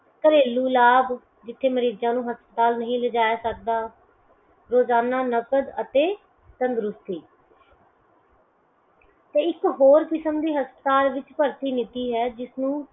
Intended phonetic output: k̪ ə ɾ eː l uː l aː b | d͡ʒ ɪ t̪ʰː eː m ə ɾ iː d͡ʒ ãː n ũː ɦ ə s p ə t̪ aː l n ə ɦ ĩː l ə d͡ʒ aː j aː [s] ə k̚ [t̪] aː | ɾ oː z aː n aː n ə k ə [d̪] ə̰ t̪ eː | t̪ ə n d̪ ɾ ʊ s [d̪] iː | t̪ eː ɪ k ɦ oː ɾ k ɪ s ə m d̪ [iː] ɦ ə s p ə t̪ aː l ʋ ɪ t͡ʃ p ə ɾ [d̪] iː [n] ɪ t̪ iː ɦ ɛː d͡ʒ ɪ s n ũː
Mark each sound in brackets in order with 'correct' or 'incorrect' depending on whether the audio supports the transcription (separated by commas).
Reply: correct, incorrect, correct, incorrect, correct, incorrect, correct